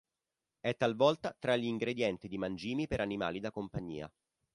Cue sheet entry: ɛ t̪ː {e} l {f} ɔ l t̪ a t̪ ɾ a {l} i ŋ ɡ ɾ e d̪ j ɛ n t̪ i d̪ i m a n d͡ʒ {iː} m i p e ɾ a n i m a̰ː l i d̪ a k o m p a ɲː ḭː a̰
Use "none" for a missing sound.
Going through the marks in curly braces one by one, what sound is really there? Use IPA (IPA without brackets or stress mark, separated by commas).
a, v, ʎ, iː